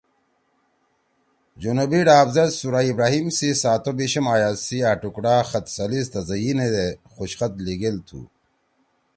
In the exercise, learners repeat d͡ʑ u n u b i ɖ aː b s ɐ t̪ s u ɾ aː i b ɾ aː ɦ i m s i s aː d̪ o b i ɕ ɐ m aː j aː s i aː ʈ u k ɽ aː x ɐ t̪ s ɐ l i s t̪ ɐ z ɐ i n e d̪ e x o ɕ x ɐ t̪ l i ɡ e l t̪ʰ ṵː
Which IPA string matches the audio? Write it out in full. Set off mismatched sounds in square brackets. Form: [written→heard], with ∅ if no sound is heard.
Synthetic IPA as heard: d͡ʑ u n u b i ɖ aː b [s→z] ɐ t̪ s u ɾ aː i b ɾ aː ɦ i m s i s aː [d̪→t̪] o b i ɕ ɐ m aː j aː s i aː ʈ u k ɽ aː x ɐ t̪ s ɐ l i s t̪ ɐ z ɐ i n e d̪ e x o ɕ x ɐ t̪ l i ɡ e l t̪ʰ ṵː